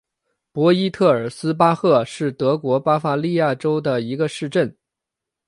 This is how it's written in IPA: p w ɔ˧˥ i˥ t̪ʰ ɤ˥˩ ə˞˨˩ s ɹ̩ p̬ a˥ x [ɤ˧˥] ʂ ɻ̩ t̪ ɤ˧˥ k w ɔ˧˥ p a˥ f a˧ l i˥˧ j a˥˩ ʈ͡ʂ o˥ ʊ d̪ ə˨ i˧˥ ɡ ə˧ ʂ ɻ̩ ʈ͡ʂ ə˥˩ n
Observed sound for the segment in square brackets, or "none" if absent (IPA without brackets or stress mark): ɤ˥˧